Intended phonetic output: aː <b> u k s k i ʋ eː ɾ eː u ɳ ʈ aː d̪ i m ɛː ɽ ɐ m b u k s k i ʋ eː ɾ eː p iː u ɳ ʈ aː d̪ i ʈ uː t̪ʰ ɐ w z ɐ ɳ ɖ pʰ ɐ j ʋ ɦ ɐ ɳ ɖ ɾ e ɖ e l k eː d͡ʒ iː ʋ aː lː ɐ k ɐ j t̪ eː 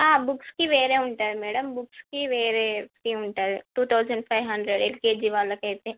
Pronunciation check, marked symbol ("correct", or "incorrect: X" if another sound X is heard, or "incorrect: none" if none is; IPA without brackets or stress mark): correct